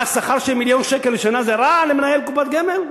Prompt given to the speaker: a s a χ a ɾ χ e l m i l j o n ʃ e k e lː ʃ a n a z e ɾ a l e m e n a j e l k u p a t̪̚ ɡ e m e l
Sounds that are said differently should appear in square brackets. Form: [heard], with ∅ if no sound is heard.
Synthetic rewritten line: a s a χ a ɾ [ʃ] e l m i l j o n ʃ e k e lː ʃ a n a z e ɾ a l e m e n a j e l k u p a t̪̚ ɡ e m e l